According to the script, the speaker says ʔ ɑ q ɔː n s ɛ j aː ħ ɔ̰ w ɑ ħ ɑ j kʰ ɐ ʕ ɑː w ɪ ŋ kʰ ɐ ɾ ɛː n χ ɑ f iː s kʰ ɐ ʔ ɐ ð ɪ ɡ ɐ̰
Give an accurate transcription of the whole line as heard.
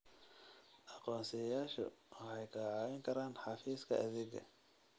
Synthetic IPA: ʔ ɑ q ɔː n s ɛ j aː ʃ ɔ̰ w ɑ ħ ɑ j kʰ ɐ ʕ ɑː w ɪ ŋ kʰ ɐ ɾ aː n ħ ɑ f iː s kʰ ɐ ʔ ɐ ð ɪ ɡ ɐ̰